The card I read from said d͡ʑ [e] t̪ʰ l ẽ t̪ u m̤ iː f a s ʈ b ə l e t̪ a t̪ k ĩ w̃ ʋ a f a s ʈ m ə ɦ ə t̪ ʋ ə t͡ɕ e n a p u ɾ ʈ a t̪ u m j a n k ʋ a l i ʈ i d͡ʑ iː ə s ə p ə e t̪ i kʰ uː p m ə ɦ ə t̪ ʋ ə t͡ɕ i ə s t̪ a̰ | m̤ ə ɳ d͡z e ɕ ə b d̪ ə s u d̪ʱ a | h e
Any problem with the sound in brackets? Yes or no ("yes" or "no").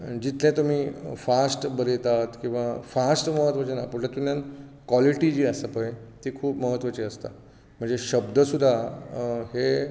yes